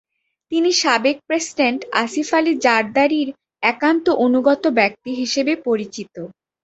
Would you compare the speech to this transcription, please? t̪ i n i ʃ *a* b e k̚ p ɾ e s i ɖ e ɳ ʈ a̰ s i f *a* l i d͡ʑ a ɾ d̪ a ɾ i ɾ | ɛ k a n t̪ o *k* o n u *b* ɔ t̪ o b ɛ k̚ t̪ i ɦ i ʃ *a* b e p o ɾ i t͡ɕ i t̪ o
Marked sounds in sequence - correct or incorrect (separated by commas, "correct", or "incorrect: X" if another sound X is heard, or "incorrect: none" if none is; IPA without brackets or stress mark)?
correct, correct, incorrect: ʔ, incorrect: ɡ, incorrect: e